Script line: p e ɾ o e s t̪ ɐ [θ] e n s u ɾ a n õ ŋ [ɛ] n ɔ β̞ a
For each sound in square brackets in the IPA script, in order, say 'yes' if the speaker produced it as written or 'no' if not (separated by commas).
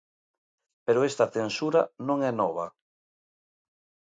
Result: yes, yes